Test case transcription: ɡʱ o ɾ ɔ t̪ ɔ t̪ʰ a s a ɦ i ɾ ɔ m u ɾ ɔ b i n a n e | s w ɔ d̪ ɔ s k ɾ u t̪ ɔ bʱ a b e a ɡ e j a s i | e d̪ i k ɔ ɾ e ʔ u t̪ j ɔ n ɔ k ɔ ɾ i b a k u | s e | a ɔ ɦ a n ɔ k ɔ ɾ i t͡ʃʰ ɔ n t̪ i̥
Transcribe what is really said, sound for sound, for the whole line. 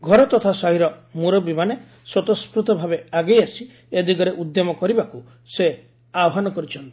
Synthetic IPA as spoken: ɡʱ ɔ ɾ ɔ t̪ ɔ t̪ʰ a s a ɦ i ɾ ɔ m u ɾ ɔ b i m a n e | s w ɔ t̪ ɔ s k ɾ u t̪ ɔ bʱ a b e a ɡ e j a s i | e d̪ i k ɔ ɾ e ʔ u d̪ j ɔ m ɔ k ɔ ɾ i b a k u | s e | a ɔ ɦ a n ɔ k ɔ ɾ i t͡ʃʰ ɔ n t̪ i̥